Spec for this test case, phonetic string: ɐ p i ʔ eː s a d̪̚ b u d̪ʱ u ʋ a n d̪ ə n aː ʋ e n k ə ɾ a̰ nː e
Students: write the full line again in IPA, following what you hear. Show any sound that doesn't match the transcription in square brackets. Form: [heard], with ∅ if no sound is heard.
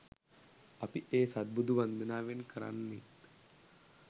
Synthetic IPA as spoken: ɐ p i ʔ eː s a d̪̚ b u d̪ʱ u ʋ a n d̪ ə n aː ʋ e n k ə ɾ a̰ nː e